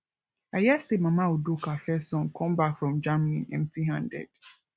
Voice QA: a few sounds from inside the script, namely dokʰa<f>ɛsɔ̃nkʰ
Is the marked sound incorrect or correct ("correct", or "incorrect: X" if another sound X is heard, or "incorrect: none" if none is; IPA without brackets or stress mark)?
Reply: correct